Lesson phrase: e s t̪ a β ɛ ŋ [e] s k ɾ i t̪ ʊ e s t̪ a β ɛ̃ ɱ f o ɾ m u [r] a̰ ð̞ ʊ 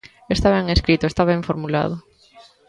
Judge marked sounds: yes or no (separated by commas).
yes, no